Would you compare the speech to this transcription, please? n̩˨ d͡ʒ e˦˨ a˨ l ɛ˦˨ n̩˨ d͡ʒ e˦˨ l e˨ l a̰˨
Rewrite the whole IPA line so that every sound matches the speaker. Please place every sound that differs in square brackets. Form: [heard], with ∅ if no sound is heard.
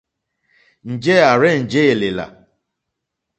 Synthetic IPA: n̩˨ d͡ʒ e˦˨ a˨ [ɾ] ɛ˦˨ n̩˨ d͡ʒ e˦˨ l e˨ l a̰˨

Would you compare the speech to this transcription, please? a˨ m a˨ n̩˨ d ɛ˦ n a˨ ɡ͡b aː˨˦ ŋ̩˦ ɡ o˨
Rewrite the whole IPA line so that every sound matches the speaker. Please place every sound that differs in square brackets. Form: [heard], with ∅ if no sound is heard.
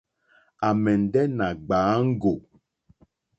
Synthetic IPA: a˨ m [ɛ˨] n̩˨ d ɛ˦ n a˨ ɡ͡b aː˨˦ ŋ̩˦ ɡ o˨

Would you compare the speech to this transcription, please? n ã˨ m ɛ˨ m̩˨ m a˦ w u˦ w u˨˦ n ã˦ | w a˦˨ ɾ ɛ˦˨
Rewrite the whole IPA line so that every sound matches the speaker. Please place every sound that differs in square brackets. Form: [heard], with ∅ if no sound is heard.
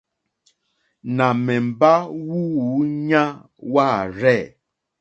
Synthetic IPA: n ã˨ m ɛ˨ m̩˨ [b] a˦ w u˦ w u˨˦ [ɲ] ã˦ | w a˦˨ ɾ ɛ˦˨

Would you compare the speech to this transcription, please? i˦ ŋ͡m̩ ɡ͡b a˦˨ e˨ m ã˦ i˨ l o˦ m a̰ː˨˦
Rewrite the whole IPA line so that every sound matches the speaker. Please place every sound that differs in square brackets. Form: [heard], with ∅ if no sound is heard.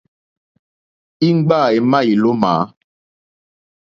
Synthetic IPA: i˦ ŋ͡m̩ ɡ͡b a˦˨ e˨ m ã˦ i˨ l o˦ m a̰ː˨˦

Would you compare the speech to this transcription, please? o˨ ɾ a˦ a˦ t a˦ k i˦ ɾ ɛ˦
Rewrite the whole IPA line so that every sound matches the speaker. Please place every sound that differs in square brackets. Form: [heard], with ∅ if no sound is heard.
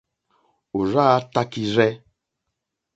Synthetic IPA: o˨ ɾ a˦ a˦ t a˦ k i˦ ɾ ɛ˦

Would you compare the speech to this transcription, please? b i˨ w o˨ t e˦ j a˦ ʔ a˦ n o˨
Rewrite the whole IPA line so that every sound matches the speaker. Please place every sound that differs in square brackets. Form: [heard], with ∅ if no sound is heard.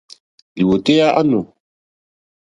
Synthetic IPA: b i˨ w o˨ t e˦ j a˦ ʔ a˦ n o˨

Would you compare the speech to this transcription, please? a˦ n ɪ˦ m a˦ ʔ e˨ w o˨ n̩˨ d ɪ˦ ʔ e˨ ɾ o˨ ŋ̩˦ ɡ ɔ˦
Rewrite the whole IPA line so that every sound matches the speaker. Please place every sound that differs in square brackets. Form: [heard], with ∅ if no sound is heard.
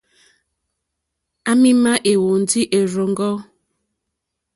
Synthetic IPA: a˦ [m] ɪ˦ m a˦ ʔ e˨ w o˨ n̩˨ d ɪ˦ ʔ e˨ ɾ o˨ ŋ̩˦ ɡ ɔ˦

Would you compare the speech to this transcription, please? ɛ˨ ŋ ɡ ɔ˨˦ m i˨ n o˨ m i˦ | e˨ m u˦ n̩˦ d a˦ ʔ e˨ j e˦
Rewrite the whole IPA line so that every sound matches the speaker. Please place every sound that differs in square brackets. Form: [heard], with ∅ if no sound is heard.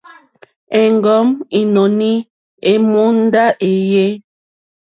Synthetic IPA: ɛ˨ ŋ ɡ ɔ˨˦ m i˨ n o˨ [n] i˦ | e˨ m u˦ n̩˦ d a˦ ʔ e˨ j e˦

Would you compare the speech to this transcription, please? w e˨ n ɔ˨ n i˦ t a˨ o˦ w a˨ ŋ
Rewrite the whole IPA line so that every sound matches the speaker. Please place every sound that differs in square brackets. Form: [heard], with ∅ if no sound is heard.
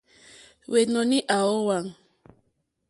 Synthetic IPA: w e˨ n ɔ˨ n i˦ [ʔ] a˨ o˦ w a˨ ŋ

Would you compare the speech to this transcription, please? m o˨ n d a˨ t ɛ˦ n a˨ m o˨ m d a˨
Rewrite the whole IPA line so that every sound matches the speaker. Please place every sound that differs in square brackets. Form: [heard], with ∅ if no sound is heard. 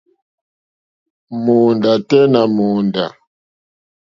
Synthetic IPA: m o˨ n d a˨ t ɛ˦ n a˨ m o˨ [n] d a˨

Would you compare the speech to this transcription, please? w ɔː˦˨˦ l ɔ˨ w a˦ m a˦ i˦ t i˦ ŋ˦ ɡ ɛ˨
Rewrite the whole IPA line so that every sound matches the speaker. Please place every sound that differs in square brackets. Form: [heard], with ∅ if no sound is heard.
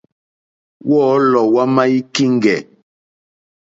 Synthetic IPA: w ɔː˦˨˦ l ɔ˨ w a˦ m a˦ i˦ [k] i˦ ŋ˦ ɡ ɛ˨

